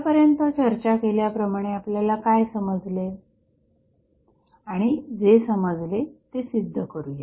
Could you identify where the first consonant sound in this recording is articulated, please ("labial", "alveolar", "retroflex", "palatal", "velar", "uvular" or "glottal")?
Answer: labial